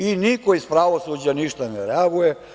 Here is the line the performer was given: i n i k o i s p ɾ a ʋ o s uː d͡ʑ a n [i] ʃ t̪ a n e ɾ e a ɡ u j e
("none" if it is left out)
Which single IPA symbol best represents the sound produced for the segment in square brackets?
i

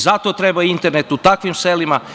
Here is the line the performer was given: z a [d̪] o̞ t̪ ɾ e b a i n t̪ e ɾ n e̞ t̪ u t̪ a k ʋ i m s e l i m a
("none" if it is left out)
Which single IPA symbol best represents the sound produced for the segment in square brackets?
t̪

